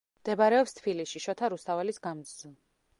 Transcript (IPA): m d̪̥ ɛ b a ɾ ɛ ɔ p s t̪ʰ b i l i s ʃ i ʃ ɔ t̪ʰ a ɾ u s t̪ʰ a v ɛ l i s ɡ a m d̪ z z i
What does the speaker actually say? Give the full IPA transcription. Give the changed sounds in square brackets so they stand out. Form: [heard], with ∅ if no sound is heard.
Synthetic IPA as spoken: m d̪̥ ɛ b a ɾ ɛ ɔ p s t̪ʰ b i l i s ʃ i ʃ ɔ t̪ʰ a ɾ u s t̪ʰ a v ɛ l i s ɡ a m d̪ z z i